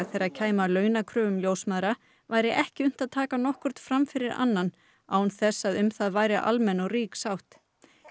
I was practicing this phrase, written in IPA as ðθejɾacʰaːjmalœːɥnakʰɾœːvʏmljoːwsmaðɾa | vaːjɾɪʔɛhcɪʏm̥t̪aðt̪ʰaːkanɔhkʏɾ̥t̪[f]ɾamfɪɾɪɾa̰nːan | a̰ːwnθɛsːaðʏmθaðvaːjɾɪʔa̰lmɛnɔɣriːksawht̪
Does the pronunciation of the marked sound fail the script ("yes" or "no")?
no